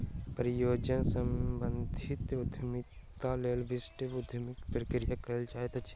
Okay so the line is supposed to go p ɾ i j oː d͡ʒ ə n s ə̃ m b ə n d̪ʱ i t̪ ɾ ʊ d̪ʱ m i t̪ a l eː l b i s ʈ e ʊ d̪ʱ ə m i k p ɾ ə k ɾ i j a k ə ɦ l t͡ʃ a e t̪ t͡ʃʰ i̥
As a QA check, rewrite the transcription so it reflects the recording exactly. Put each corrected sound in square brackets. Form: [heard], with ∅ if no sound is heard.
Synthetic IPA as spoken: p ɾ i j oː d͡ʒ ə n s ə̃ m b ə n d̪ʱ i t̪ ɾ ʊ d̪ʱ m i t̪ a l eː l b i s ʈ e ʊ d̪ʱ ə m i k p ɾ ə k ɾ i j a k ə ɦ l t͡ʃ a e t̪ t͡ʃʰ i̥